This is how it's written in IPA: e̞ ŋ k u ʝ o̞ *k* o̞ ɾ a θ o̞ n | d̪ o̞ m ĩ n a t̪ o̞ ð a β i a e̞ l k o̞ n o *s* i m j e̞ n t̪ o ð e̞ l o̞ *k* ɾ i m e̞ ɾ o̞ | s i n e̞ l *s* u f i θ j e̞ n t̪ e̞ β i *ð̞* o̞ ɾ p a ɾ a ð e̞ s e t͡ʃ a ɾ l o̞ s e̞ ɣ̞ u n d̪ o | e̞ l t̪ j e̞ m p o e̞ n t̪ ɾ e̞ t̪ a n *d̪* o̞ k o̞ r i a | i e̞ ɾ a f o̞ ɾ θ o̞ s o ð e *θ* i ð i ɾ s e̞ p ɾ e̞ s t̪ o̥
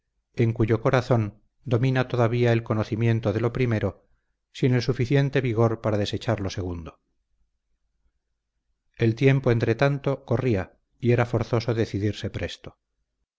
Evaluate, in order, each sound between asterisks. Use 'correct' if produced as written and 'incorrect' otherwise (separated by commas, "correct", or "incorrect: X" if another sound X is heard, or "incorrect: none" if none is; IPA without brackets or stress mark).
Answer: correct, incorrect: θ, incorrect: p, correct, incorrect: ɣ̞, incorrect: t̪, correct